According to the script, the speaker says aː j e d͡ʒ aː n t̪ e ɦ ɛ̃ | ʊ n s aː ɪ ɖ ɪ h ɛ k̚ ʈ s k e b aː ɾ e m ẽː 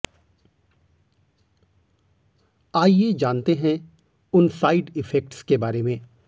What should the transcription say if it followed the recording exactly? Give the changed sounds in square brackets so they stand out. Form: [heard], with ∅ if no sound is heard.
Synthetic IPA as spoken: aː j e d͡ʒ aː n t̪ e ɦ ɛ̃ | ʊ n s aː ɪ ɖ ɪ [f] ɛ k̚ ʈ s k e b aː ɾ e m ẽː